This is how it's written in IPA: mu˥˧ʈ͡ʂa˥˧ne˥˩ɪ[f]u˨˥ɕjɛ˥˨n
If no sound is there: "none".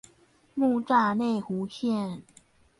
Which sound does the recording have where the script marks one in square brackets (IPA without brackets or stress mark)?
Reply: x